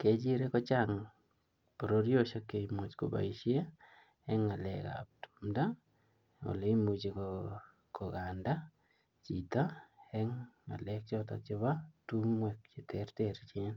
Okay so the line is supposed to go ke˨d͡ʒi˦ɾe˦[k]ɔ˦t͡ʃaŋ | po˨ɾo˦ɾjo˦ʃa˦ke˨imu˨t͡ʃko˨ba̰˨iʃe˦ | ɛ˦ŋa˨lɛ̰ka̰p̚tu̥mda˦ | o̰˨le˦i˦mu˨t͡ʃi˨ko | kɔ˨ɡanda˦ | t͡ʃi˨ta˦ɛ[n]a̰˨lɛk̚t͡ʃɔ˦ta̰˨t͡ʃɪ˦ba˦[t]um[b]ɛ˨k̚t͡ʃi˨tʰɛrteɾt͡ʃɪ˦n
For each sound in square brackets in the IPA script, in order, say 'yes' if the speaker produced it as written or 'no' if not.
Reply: yes, no, yes, no

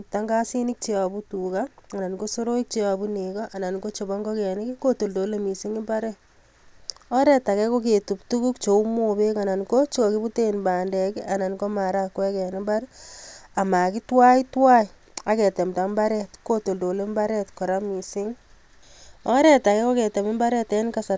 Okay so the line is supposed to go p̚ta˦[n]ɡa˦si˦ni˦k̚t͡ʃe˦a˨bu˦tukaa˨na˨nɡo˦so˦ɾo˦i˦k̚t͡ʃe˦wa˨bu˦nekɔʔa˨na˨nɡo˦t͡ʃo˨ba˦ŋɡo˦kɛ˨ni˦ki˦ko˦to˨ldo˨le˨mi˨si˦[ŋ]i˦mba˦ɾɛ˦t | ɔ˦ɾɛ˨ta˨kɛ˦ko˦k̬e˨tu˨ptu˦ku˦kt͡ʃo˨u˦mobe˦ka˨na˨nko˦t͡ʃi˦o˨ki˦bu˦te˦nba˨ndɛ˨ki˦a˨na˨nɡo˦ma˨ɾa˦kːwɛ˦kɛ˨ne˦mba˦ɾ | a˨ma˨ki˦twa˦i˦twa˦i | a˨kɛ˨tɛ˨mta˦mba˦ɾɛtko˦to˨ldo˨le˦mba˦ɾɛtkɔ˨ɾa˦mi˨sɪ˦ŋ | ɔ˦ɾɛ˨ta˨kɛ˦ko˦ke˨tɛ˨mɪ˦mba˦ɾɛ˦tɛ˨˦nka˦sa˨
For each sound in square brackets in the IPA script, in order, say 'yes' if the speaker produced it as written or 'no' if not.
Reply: no, yes

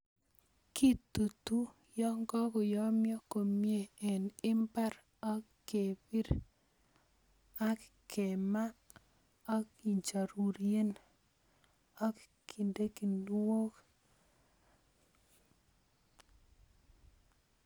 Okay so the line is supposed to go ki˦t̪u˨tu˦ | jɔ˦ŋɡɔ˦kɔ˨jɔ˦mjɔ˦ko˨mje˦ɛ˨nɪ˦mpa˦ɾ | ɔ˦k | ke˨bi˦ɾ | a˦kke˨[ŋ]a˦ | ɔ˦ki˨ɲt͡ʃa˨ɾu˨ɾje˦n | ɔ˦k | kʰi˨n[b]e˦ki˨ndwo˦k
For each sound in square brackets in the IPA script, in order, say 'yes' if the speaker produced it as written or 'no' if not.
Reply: no, no

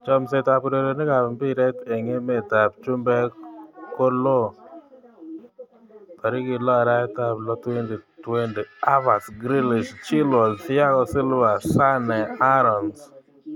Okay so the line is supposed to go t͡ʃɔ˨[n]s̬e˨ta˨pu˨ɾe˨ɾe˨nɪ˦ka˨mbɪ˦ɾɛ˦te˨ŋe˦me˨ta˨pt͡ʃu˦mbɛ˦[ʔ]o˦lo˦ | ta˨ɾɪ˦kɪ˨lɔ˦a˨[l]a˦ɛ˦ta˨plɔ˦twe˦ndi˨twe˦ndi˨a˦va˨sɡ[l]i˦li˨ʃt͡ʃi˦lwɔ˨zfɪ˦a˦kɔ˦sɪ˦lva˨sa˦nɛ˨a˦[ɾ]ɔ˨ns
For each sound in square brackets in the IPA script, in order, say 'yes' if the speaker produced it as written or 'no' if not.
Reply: no, no, no, no, yes

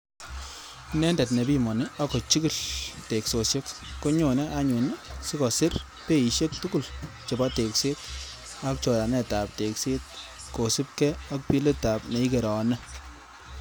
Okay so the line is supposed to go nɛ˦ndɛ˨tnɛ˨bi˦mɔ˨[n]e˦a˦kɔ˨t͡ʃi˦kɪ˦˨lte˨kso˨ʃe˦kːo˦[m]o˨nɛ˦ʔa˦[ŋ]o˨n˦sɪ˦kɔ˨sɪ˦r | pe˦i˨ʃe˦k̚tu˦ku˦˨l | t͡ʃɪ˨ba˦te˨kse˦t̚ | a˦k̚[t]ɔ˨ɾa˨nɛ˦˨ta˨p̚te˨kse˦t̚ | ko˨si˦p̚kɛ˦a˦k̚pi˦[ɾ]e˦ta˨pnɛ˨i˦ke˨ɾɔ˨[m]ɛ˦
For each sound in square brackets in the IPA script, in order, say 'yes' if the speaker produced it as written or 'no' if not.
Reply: yes, no, no, no, no, no

